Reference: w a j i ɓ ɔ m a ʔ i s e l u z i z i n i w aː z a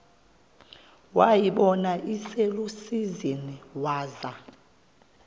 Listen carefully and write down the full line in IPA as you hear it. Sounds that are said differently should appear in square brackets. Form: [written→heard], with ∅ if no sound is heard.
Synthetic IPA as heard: w a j i ɓ ɔ [m→n] a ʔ i s e l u [z→s] i z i n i w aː z a